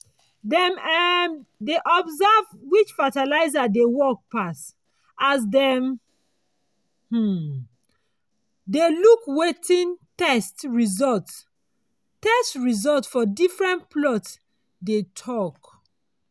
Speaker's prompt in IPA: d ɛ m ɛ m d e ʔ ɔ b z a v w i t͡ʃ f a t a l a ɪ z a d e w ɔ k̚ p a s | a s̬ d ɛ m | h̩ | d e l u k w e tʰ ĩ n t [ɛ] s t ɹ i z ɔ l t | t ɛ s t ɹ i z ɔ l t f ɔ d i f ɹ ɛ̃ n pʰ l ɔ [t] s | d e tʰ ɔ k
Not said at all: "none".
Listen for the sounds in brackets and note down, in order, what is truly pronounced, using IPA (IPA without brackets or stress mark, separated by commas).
ɛ, t